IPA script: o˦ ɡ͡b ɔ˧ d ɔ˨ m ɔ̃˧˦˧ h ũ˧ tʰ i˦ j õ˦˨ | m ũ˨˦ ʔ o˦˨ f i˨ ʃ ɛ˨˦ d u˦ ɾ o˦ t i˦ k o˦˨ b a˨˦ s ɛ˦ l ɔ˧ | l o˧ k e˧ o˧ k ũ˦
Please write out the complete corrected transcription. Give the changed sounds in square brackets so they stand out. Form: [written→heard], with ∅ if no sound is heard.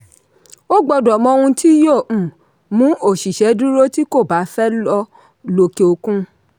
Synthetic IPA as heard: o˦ ɡ͡b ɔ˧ d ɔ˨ m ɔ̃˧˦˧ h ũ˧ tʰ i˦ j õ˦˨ | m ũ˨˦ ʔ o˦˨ [f→ʃ] i˨ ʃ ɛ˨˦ d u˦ ɾ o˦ t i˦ k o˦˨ b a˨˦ [s→f] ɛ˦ l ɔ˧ | l o˧ k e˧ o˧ k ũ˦

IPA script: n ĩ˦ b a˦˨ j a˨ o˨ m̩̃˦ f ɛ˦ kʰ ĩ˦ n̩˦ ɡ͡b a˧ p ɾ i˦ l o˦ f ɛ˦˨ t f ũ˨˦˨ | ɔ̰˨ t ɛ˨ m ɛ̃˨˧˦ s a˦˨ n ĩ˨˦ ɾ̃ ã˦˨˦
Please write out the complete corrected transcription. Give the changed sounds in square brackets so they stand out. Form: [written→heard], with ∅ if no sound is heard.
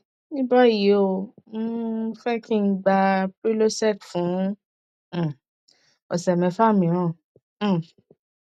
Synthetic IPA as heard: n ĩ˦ b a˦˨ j [a˨→i˨] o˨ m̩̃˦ f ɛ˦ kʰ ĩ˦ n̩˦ ɡ͡b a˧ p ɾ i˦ l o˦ [f→s] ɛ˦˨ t f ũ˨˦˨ | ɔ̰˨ [t→s] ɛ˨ m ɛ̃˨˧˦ [s→f] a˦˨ [n→m] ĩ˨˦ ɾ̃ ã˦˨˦

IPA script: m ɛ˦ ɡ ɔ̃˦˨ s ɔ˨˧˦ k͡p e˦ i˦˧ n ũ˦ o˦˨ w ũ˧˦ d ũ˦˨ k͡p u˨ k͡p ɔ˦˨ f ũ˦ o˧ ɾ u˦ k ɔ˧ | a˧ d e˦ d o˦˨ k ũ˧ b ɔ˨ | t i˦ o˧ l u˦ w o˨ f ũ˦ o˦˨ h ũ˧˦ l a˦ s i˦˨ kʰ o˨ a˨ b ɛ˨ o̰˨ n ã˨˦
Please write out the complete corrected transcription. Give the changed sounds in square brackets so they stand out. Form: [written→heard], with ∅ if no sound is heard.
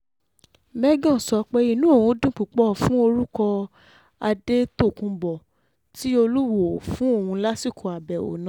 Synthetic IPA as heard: m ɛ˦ ɡ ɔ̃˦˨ s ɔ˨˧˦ k͡p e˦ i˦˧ n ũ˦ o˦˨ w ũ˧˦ d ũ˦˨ k͡p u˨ k͡p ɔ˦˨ f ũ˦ o˧ ɾ u˦ k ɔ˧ | a˧ d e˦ [d→t] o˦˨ k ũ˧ b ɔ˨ | t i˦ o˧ l u˦ w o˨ f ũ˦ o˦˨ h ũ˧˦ l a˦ s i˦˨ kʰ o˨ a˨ b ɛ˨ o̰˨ n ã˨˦

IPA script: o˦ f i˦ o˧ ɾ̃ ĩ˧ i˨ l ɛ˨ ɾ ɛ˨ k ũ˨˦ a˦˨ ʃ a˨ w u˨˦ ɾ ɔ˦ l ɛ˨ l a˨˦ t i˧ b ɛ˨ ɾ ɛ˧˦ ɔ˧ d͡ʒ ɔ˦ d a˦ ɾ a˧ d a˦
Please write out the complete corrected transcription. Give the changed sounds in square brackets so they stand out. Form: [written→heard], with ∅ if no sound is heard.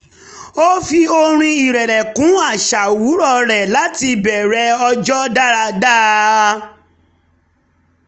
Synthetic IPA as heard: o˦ f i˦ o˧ ɾ̃ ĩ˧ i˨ [l→ɾ] ɛ˨ ɾ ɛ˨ k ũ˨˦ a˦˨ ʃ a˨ w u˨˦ ɾ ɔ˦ [l→ɾ] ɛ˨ l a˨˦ t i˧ b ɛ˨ ɾ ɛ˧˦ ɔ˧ d͡ʒ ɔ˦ d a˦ ɾ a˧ d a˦

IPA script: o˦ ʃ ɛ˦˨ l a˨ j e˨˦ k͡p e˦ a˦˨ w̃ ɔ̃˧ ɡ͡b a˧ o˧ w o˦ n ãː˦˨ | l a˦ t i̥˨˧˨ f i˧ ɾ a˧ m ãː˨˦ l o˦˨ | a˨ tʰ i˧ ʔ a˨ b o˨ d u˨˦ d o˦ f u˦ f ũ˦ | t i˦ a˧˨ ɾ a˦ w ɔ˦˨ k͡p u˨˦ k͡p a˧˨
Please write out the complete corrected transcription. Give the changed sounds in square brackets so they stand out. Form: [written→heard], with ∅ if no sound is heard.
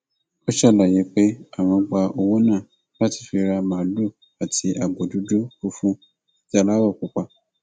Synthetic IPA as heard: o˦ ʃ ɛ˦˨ l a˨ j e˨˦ k͡p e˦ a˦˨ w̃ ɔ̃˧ ɡ͡b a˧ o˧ w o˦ n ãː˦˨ | l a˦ t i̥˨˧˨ f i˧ ɾ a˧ m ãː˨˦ l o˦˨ | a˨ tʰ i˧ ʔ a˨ b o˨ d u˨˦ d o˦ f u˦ f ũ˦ | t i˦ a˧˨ [ɾ→l] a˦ w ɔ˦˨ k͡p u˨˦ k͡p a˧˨

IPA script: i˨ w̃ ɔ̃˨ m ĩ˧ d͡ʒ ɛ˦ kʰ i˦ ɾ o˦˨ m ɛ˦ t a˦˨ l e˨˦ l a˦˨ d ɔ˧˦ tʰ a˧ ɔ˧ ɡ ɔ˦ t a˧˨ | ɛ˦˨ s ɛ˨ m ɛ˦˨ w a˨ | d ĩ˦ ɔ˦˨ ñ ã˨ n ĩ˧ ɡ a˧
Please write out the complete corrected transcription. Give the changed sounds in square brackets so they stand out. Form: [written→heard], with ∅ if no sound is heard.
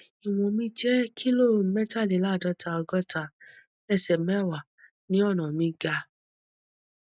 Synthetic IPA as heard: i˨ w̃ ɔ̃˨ m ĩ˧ d͡ʒ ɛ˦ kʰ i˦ [ɾ→l] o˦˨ m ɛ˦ t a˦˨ l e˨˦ l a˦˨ d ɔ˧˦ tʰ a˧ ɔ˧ ɡ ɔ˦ t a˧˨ | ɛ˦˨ s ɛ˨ m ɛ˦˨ w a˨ | [d→n] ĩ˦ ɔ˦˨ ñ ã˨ [n→m] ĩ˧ ɡ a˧

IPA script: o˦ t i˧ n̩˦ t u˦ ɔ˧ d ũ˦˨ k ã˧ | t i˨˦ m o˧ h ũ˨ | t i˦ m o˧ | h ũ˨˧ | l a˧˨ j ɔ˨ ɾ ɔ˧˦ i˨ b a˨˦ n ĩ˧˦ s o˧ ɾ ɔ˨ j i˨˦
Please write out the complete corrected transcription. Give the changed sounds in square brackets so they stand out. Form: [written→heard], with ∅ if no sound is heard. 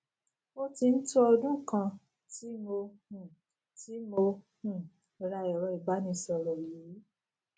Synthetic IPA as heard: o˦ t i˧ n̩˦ t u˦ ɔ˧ d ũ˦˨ k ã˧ | t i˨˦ m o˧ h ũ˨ | t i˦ m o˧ | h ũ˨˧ | [l→ɾ] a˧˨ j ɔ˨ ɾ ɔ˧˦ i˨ b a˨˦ n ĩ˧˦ s [o˧→ɔ˧] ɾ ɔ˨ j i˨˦

